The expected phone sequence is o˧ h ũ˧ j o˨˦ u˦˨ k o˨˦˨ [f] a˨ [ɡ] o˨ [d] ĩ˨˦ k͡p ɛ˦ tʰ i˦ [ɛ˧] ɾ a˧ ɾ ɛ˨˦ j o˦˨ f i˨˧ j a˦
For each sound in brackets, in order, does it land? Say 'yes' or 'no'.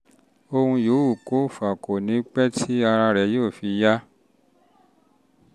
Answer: yes, no, no, no

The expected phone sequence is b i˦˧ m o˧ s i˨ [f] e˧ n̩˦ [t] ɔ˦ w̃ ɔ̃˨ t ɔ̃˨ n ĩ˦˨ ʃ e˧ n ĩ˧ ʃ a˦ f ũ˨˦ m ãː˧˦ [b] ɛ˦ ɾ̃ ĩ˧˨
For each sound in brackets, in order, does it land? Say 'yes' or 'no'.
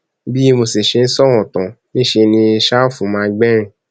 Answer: no, no, no

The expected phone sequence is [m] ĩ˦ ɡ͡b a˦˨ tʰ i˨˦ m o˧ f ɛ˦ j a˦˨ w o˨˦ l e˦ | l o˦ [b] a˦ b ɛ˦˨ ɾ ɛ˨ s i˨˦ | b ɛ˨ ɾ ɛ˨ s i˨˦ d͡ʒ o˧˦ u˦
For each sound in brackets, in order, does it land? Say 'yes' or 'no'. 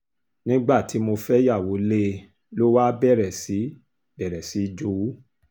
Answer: no, no

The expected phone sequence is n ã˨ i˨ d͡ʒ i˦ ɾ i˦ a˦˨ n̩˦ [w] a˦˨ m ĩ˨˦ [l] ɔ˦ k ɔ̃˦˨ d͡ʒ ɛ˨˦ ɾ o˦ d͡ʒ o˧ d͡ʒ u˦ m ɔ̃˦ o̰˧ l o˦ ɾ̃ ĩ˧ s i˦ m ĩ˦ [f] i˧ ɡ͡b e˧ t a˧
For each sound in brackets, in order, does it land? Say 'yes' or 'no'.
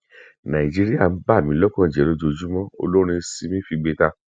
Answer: no, yes, yes

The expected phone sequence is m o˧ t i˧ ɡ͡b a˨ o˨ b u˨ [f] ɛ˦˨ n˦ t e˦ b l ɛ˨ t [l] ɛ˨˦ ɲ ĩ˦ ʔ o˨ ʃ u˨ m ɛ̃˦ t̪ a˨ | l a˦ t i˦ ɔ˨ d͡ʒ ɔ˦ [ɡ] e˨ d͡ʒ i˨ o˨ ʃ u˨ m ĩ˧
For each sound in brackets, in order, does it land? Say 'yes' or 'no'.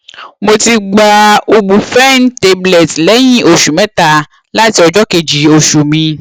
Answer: yes, yes, no

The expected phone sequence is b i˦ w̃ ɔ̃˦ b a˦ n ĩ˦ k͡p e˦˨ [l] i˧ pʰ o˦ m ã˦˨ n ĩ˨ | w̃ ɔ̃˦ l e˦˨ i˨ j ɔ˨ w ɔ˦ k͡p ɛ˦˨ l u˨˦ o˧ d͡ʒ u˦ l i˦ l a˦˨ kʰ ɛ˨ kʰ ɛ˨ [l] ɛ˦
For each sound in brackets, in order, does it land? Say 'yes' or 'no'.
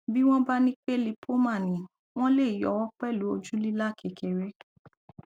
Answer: yes, no

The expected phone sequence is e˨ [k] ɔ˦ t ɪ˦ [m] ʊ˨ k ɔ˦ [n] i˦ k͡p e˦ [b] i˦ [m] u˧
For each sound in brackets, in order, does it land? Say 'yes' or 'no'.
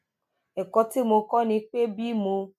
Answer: yes, yes, yes, yes, yes

